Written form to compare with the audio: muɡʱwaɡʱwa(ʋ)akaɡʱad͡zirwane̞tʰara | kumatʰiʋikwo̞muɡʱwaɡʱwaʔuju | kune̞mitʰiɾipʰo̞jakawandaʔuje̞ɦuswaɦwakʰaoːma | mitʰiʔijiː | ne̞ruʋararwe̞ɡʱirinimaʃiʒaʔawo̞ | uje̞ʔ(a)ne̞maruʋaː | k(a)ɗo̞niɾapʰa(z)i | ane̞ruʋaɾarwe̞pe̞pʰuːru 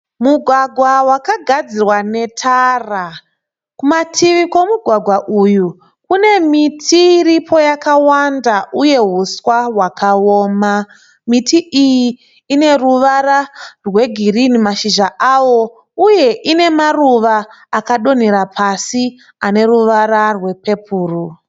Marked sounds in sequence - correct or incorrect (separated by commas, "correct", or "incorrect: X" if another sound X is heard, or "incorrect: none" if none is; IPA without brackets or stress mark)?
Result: incorrect: w, incorrect: i, correct, incorrect: s